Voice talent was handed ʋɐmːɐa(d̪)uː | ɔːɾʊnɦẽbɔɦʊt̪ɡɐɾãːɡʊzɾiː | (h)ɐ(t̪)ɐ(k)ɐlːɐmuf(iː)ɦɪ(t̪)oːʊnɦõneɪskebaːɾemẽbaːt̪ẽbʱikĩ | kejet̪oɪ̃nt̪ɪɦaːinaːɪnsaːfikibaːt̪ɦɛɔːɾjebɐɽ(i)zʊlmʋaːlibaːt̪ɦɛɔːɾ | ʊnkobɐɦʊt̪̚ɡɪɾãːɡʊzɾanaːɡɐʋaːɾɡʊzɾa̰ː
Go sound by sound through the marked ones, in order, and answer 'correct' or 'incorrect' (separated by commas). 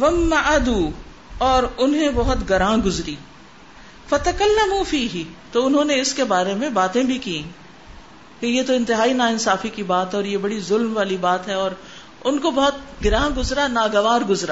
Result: correct, incorrect, correct, correct, correct, correct, correct